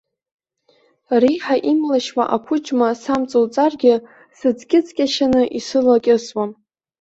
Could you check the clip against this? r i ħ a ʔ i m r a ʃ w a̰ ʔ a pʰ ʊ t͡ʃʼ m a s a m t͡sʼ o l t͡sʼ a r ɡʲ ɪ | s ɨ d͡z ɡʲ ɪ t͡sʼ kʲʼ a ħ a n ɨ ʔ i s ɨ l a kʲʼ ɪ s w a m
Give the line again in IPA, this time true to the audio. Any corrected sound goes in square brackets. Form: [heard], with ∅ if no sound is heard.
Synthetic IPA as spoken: r i ħ a ʔ i m [l] a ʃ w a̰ ʔ a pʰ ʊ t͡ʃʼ m a s a m t͡sʼ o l t͡sʼ a r ɡʲ ɪ | s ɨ d͡z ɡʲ ɪ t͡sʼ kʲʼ a [ʃ] a n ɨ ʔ i s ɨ l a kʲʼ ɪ s w a m

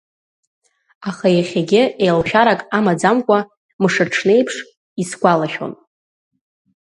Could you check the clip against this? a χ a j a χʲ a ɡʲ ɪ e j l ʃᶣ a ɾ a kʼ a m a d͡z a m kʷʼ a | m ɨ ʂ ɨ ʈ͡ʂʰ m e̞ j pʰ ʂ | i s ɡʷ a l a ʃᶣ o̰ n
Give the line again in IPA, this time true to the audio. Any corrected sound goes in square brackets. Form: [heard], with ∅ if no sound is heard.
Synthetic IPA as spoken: a χ a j a χʲ a ɡʲ ɪ e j l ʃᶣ a ɾ a kʼ a m a d͡z a m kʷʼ a | m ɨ ʂ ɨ ʈ͡ʂʰ [n] e̞ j pʰ ʂ | i s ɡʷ a l a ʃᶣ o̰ n

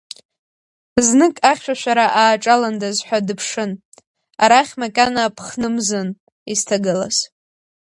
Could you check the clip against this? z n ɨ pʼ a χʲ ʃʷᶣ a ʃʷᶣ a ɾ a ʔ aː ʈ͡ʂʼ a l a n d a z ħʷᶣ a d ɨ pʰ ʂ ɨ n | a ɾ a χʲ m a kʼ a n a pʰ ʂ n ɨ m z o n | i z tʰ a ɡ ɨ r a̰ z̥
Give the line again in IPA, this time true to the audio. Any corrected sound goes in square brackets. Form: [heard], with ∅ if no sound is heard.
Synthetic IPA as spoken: z n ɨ [kʼ] a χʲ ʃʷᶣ a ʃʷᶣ a ɾ a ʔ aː ʈ͡ʂʼ a l a n d a z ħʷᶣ a d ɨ pʰ ʂ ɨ n | a ɾ a χʲ m a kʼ a n a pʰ [χ] n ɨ m z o n | i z tʰ a ɡ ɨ [l] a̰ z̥

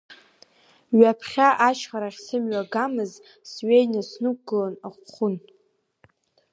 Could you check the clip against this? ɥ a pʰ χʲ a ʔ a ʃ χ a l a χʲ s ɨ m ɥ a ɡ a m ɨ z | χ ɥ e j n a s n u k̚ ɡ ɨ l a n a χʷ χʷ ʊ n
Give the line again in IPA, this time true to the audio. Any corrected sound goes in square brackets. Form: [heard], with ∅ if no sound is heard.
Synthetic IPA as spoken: ɥ a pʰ χʲ a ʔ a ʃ χ a [ɾ] a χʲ s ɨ m ɥ a ɡ a m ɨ z | [s] ɥ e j n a s n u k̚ ɡ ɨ l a n a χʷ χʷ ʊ n

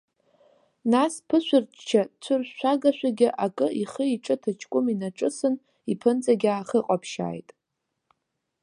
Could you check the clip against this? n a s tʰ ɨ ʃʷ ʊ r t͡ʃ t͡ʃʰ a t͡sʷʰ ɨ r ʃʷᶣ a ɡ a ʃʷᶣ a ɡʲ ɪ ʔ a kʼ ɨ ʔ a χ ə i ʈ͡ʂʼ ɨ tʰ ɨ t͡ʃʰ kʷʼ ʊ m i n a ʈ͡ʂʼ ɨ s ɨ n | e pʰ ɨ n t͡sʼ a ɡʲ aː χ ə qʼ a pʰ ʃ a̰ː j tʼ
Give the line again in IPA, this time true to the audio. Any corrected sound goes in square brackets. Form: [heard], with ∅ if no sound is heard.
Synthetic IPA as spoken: n a s [pʰ] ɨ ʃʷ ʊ r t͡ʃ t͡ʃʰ a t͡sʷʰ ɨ r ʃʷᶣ a ɡ a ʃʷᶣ a ɡʲ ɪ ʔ a kʼ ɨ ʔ [i] χ ə i ʈ͡ʂʼ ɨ tʰ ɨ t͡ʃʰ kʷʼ ʊ m i n a ʈ͡ʂʼ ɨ s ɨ n | [i] pʰ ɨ n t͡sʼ a ɡʲ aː χ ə qʼ a pʰ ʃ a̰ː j tʼ

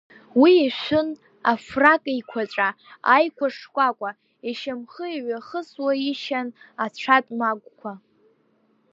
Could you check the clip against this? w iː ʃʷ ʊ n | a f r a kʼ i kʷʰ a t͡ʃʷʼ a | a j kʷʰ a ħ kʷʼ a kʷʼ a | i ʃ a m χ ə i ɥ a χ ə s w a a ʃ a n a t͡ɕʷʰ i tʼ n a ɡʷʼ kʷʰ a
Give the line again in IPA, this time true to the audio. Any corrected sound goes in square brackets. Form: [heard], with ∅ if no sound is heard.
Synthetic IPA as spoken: w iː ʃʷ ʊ n | a f r a kʼ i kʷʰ a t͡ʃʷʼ a | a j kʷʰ a [ʂ] kʷʼ a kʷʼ a | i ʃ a m χ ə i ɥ a χ ə s w a [i] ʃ a n a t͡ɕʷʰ [a] tʼ [m] a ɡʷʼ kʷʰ a

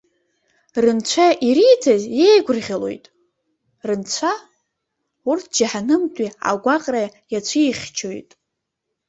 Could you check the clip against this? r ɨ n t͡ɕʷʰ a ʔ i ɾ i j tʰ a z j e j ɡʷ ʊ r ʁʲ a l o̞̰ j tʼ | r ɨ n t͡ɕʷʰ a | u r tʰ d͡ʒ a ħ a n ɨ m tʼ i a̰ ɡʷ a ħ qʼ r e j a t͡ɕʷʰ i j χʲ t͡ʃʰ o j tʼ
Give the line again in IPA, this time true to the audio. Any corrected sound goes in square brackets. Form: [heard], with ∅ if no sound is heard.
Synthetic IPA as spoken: r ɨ n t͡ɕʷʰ a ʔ i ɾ i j tʰ a z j e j ɡʷ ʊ r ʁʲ a l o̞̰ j tʼ | r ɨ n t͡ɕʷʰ a | u r tʰ d͡ʒ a ħ a n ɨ m tʼ i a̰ ɡʷ a [∅] qʼ r [a] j a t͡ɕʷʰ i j χʲ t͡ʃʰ o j tʼ

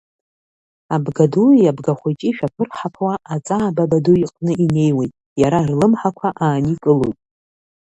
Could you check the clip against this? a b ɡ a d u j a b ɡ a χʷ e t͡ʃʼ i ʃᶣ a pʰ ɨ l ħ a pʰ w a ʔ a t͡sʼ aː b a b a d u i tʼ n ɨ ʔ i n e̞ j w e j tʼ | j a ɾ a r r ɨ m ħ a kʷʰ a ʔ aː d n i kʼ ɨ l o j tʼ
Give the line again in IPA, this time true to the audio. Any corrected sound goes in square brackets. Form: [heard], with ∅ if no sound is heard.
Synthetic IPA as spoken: a b ɡ a d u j a b ɡ a χʷ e t͡ʃʼ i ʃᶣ a pʰ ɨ [r] ħ a pʰ w a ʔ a t͡sʼ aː b a b a d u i [qʼ] n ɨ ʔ i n e̞ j w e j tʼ | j a ɾ a r [l] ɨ m ħ a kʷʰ a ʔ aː [∅] n i kʼ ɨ l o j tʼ

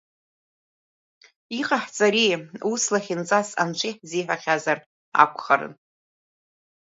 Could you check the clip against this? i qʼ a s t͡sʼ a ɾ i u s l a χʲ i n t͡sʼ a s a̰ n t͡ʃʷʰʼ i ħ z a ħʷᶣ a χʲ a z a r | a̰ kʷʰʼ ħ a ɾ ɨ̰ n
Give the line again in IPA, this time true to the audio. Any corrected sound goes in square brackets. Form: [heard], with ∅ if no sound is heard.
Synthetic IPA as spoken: i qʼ a [ħ] t͡sʼ a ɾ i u s l a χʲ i n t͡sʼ a s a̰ n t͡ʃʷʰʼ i ħ z [i] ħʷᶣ a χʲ a z a r | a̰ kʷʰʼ [χ] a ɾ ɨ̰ n

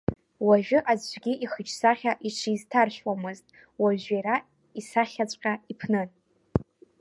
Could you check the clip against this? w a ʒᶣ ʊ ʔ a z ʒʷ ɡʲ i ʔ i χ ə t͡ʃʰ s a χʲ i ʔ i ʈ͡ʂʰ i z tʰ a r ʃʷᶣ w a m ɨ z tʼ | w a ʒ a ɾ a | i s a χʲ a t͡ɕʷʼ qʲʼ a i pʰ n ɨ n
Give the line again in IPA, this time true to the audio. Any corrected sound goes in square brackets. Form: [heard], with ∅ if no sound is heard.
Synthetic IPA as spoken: w a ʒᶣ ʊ ʔ a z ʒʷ ɡʲ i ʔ i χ ə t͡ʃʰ s a χʲ [a] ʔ i ʈ͡ʂʰ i z tʰ a r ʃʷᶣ w a m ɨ z tʼ | w a ʒ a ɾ a | i s a χʲ a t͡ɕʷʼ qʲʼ a i pʰ n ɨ n

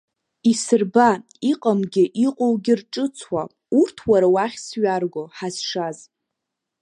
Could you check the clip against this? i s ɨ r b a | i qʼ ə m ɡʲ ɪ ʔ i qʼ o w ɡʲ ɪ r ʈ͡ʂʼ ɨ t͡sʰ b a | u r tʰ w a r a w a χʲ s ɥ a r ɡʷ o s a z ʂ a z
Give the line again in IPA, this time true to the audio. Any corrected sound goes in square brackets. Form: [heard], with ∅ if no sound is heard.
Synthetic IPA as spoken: i s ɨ r b a | i qʼ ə m ɡʲ ɪ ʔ i qʼ o w ɡʲ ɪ r ʈ͡ʂʼ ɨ t͡sʰ [w] a | u r tʰ w a [ɾ] a w a χʲ s ɥ a r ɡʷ o [ħ] a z ʂ a z

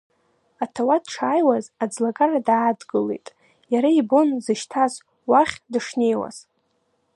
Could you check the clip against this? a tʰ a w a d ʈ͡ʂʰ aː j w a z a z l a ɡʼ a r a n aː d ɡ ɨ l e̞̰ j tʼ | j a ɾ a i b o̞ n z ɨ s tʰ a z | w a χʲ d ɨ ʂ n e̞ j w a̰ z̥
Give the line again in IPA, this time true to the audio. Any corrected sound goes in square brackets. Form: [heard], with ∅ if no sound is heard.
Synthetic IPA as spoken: a tʰ a w a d ʈ͡ʂʰ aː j w a z a [d͡z] l a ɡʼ a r a [d] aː d ɡ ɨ l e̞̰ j tʼ | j a ɾ a i b o̞ n z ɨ [ʃ] tʰ a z | w a χʲ d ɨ ʂ n e̞ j w a̰ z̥

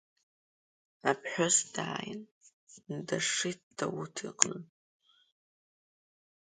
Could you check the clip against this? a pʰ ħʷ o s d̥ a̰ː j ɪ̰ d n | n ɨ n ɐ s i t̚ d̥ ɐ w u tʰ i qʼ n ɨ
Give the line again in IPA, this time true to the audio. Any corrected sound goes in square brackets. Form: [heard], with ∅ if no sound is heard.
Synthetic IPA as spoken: a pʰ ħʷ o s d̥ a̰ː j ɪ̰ [∅] n | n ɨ [d] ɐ [ʂ] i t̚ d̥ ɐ w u tʰ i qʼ n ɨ

